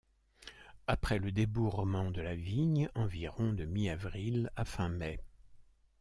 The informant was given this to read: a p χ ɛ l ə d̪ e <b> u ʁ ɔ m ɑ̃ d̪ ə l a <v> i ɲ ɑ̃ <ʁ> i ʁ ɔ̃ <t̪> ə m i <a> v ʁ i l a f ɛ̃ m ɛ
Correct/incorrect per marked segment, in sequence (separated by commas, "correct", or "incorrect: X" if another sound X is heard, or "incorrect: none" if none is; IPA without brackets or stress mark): correct, correct, incorrect: v, incorrect: d̪, correct